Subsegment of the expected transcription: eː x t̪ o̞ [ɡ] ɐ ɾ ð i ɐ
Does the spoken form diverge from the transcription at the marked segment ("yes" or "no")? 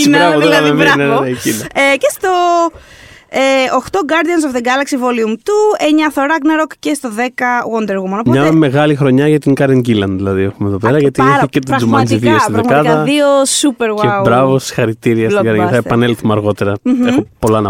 no